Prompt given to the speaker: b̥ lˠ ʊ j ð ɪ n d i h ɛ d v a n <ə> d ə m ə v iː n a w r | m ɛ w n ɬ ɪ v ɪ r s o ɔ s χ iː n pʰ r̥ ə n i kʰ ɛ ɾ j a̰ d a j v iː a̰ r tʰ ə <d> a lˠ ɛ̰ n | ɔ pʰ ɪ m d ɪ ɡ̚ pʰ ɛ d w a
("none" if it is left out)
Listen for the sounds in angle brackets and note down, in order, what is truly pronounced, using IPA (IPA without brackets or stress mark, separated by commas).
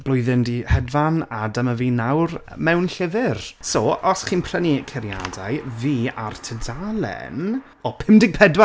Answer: a, d